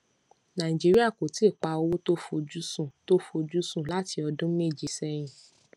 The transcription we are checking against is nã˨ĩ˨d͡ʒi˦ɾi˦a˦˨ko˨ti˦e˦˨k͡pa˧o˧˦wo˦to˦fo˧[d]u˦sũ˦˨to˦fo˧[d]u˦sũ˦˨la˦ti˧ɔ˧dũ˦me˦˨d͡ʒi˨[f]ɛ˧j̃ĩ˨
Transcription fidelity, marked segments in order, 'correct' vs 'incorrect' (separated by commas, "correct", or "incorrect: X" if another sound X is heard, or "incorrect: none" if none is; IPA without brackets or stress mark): incorrect: d͡ʒ, incorrect: d͡ʒ, incorrect: s